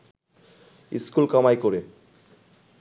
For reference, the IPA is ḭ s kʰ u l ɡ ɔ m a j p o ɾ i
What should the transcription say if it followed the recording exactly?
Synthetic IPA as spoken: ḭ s k u l k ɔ m a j k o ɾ e